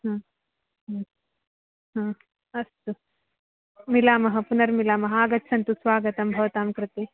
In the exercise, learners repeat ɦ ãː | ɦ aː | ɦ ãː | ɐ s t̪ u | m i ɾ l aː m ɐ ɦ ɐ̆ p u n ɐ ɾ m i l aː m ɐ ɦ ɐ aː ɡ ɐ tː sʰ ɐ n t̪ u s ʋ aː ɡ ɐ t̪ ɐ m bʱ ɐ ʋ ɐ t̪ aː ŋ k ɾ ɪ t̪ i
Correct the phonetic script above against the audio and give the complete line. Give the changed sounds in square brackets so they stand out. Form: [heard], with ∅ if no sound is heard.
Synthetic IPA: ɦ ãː | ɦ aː | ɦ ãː | ɐ s t̪ u | m i [∅] l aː m ɐ ɦ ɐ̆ p u n ɐ ɾ m i l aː m ɐ ɦ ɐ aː ɡ ɐ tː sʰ ɐ n t̪ u s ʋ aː ɡ ɐ t̪ ɐ m bʱ ɐ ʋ ɐ t̪ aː [m] k ɾ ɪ t̪ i

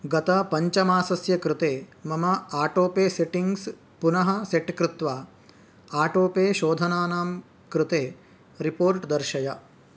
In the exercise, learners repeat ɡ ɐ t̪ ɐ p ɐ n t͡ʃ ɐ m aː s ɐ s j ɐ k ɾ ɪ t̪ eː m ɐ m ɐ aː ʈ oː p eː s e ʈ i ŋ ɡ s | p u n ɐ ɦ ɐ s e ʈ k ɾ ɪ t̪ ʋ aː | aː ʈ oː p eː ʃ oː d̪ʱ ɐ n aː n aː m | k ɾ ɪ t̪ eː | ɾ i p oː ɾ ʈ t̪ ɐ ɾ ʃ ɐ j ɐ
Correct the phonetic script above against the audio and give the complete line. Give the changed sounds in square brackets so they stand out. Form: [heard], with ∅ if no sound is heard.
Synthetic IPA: ɡ ɐ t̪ ɐ p ɐ [ɲ] t͡ʃ ɐ m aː s ɐ s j ɐ k ɾ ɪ t̪ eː m ɐ m ɐ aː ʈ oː p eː s e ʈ i ŋ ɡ s | p u n ɐ ɦ ɐ s e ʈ k ɾ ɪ t̪ ʋ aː | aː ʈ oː p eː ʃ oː d̪ʱ ɐ n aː n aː m | k ɾ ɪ t̪ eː | ɾ i p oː ɾ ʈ [d̪] ɐ ɾ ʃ ɐ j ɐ

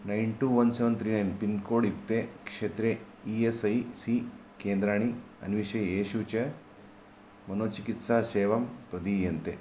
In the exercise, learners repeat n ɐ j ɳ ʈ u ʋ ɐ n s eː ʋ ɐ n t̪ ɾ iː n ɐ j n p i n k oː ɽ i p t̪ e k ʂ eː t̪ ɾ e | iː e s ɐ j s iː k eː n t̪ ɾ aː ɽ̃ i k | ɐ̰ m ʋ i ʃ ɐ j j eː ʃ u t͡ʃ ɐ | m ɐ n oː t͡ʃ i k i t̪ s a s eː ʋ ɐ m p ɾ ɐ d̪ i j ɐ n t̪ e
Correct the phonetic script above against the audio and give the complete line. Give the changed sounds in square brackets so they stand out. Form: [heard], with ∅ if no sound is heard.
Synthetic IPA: n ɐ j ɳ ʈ u ʋ ɐ n s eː ʋ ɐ n t̪ ɾ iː n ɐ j n p i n k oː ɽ i p t̪ e k ʂ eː t̪ ɾ e | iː e s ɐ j s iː k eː n [d̪] ɾ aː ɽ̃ i [∅] | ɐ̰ [n] ʋ i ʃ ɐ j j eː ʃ u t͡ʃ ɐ | m ɐ n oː t͡ʃ i k i t̪ s a s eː ʋ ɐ m p ɾ ɐ d̪ i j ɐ n t̪ e

